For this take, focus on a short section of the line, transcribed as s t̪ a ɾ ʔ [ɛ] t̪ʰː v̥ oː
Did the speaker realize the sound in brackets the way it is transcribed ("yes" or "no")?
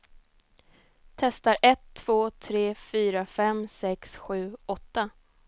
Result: yes